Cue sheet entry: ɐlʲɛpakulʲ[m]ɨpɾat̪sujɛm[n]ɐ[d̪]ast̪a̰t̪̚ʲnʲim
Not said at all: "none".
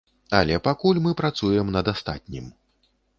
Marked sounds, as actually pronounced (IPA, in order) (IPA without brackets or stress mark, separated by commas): m, n, d̪